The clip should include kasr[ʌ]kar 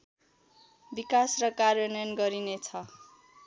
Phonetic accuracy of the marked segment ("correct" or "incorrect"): correct